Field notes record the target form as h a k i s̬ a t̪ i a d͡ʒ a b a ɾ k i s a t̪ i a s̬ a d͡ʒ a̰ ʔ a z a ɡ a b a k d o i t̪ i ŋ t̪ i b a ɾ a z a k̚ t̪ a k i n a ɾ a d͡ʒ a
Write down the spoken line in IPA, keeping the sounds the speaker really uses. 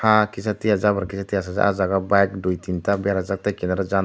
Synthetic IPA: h a k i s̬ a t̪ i a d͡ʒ a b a ɾ k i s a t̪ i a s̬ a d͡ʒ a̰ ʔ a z a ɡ a b a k d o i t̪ i n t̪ a b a ɾ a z a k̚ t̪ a k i n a ɾ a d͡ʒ a